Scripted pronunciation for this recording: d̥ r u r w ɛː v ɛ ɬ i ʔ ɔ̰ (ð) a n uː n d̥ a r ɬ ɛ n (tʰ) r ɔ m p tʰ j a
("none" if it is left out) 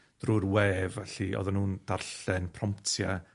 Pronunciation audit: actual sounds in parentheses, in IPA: ð, pʰ

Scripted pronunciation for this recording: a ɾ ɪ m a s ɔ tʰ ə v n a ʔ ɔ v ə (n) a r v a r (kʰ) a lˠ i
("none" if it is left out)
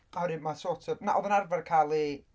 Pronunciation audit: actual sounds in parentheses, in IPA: n, kʰ

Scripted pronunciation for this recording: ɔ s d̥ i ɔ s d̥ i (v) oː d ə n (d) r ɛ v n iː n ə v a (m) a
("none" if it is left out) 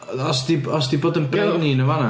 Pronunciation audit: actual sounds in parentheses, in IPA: b, b, n

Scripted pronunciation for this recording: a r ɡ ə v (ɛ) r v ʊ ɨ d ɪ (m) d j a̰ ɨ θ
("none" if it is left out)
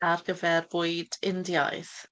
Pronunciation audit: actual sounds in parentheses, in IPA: ɛ, n

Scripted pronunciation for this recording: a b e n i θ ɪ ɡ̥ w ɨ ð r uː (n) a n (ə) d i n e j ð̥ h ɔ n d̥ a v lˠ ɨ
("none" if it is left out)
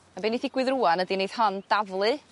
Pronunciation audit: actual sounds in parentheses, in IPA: none, ə

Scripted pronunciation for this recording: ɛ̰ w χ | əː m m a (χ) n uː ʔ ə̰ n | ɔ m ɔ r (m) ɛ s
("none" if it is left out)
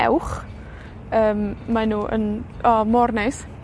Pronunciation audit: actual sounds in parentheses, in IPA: none, n

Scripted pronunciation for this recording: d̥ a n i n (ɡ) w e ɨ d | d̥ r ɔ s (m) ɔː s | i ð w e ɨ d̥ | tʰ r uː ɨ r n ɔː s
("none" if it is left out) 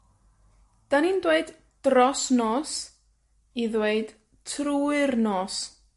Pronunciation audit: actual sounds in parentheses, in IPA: d, n

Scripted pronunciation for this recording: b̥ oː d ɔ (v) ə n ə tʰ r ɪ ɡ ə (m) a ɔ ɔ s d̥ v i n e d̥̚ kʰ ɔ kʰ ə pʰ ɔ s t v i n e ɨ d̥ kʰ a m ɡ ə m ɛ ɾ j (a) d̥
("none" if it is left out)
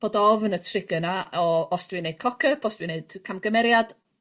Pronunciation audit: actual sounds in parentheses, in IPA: v, n, a

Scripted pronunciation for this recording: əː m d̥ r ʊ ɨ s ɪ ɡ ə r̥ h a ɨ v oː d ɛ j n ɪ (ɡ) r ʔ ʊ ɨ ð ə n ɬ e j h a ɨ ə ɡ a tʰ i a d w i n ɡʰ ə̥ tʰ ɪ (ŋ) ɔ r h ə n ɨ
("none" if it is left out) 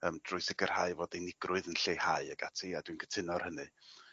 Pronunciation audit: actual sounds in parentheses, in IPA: ɡ, n

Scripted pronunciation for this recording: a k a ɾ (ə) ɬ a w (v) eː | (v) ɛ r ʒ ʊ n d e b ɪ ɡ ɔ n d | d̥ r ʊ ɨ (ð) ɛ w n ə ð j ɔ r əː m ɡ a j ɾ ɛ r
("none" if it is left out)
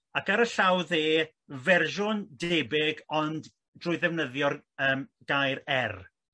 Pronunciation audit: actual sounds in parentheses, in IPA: ə, ð, v, ð

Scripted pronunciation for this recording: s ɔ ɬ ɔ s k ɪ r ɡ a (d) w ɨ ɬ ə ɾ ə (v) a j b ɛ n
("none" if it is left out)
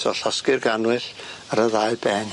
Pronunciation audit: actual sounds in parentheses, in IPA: n, ð

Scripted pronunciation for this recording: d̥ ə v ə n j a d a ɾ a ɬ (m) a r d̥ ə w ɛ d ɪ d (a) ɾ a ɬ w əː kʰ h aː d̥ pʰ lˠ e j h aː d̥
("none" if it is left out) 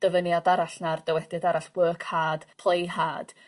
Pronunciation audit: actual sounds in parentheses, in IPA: n, a

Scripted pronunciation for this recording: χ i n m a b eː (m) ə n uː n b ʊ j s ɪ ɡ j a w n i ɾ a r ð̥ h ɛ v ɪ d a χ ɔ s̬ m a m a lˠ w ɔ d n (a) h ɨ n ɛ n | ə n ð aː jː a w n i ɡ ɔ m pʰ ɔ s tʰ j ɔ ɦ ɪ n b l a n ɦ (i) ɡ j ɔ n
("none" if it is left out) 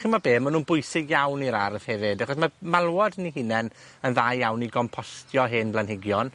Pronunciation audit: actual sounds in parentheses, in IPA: m, i, ɪ

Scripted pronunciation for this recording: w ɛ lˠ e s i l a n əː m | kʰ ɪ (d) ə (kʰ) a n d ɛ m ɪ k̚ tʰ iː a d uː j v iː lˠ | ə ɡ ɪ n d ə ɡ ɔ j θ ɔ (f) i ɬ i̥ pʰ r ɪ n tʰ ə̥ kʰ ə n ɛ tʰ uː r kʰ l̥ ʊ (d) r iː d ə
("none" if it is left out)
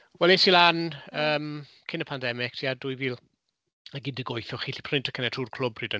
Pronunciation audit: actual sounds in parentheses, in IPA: n, pʰ, χ, b

